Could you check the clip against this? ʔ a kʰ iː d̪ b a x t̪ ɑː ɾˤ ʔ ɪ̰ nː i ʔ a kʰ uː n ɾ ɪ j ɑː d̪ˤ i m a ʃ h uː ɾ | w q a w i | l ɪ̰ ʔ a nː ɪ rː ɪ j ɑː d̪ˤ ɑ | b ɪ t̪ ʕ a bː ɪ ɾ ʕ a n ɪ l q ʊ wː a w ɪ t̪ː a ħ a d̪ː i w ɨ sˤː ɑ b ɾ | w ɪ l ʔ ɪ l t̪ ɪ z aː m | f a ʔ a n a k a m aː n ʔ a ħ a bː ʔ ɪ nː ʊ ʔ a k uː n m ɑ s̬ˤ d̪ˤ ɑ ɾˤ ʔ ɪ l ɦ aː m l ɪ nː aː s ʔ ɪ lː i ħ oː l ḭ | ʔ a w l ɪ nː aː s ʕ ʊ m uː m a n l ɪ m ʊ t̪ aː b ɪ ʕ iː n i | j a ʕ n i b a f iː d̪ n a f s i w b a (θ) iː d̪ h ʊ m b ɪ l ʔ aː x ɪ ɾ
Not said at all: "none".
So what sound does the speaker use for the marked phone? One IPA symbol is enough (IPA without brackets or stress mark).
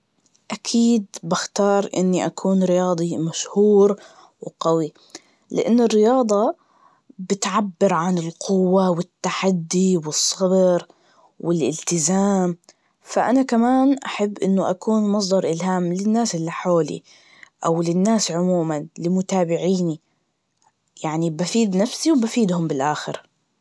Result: f